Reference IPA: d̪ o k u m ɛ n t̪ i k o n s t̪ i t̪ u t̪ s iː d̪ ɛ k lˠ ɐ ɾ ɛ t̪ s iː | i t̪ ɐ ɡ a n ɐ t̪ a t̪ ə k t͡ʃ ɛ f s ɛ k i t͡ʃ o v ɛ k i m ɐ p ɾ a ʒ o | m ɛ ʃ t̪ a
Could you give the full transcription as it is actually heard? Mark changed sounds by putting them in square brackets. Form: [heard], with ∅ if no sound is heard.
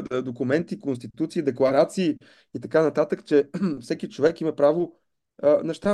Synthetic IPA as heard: d̪ o k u m ɛ n t̪ i k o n s t̪ i t̪ u t̪ s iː d̪ ɛ k lˠ ɐ ɾ [a] t̪ s iː | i t̪ ɐ [k] a n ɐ t̪ a t̪ ə k t͡ʃ ɛ f s ɛ k i t͡ʃ o v ɛ k i m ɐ p ɾ a [v] o | [n] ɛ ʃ t̪ a